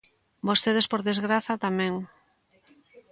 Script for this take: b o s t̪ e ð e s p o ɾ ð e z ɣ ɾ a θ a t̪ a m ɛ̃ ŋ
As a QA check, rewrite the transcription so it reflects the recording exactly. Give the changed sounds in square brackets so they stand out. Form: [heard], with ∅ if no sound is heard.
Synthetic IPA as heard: b o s t̪ e ð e s p o ɾ ð e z ɣ ɾ a θ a t̪ a m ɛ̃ ŋ